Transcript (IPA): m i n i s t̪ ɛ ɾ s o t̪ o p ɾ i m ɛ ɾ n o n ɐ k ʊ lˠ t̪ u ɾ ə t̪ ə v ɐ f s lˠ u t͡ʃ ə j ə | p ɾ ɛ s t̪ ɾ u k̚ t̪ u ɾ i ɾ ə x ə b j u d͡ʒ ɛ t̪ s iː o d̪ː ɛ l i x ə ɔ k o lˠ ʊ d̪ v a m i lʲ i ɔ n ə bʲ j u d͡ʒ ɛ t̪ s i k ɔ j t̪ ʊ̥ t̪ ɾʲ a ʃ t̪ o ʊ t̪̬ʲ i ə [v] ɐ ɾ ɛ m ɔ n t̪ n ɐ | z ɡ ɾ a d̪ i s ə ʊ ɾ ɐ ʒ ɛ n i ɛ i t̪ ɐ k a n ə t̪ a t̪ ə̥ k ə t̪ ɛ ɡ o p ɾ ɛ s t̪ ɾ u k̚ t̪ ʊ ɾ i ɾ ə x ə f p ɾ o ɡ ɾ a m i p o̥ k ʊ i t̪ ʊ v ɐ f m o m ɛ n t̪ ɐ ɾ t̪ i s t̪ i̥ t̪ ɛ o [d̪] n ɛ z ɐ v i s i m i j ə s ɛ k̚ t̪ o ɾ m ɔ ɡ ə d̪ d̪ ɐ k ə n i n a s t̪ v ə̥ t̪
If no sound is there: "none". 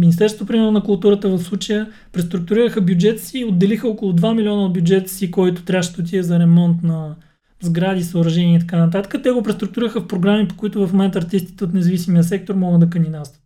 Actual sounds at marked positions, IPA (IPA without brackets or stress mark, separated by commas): z, t̪